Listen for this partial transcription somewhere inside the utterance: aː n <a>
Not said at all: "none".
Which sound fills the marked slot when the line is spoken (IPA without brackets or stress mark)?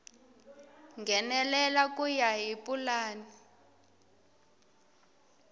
i